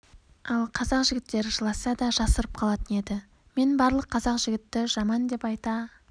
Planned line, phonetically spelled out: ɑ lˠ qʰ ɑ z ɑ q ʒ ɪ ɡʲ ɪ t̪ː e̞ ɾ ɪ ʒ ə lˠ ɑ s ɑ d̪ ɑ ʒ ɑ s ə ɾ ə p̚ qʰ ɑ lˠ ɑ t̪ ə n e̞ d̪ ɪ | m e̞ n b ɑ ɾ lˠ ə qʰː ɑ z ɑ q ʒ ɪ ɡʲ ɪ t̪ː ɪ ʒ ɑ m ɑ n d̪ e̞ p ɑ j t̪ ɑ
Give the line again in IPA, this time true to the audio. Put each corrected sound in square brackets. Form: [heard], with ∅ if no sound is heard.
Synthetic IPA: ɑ lˠ qʰ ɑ z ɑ q ʒ ɪ ɡʲ ɪ t̪ː e̞ ɾ ɪ ʒ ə lˠ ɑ s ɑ d̪ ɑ ʒ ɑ s ə ɾ ə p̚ qʰ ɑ lˠ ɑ t̪ ə n e̞ d̪ ɪ | m e̞ n b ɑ ɾ lˠ ə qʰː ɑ z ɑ q ʒ ɪ ɡʲ ɪ t̪ː ɪ ʒ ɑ m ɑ n d̪ e̞ p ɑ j t̪ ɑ

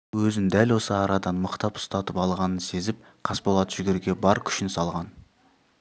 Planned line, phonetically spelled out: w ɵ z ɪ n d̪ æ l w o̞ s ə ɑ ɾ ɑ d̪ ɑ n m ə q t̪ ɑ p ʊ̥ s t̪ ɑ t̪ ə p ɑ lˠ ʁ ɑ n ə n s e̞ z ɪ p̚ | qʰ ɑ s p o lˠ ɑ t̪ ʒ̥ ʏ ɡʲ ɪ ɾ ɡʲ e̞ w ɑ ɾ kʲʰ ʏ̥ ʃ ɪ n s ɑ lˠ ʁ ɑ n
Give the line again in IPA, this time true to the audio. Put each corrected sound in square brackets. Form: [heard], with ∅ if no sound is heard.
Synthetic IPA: w ɵ z ɪ n d̪ æ l w o̞ s ə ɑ ɾ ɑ d̪ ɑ n m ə q t̪ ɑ p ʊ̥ s t̪ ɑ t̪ ə p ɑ lˠ ʁ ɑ n ə n s e̞ z ɪ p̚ | qʰ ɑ s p o lˠ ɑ t̪ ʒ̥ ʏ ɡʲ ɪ ɾ ɡʲ e̞ [b] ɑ ɾ kʲʰ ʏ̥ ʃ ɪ n s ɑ lˠ ʁ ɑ n

